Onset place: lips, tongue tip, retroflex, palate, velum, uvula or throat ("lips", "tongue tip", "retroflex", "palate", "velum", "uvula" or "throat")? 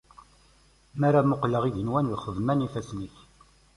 lips